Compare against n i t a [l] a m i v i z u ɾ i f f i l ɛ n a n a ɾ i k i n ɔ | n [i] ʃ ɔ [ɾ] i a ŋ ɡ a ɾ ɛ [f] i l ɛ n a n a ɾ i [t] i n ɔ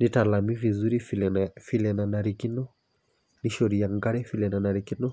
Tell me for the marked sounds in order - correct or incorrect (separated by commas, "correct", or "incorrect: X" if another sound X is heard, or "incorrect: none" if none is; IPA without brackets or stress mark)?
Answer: correct, correct, correct, correct, incorrect: k